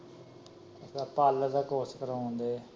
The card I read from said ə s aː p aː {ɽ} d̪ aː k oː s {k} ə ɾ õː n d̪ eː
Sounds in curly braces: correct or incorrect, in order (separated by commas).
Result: incorrect, correct